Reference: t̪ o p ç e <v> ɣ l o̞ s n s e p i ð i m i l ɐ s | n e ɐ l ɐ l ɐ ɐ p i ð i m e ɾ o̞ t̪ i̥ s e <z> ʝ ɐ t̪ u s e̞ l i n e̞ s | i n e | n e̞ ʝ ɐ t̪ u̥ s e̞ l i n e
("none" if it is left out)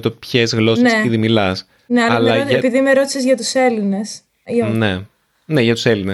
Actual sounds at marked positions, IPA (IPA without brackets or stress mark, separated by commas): z, z